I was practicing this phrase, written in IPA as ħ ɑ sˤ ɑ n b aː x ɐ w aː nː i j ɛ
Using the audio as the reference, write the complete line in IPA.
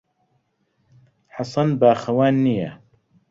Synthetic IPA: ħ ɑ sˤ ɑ n b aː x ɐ w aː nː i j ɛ